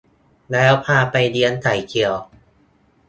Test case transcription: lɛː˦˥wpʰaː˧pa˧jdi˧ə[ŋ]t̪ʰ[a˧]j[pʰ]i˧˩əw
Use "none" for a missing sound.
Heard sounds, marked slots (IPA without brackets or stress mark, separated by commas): n, a˩˦, kʰ